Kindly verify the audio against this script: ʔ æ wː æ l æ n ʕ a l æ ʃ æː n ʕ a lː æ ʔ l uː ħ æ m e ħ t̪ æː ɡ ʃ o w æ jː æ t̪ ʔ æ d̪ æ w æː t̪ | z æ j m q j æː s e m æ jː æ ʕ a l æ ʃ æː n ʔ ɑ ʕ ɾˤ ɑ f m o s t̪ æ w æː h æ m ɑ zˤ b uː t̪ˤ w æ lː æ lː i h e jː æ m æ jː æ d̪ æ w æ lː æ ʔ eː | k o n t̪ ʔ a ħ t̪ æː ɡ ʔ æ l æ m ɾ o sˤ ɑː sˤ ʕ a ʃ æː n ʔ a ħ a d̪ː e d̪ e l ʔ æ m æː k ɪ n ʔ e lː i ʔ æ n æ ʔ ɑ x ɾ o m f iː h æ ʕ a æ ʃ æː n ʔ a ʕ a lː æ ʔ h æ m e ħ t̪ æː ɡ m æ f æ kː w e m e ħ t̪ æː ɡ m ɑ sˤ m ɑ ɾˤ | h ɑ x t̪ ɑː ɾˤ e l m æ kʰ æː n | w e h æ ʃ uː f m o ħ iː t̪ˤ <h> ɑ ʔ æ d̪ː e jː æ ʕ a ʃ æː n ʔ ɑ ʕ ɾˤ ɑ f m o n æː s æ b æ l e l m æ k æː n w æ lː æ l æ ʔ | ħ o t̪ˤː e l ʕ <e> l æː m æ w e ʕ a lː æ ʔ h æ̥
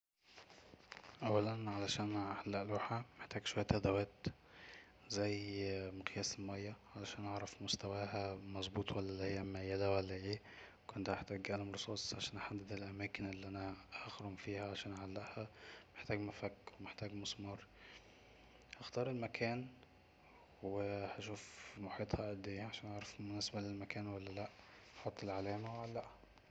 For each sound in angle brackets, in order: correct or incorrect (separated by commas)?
correct, incorrect